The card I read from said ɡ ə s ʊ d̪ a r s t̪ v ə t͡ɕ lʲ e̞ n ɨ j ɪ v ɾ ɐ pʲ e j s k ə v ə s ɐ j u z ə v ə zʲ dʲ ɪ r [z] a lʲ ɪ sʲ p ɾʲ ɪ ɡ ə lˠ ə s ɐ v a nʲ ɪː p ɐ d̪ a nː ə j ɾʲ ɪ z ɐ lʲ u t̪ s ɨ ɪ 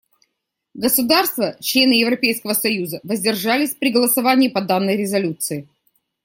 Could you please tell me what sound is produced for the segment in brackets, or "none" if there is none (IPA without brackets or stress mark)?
ʐ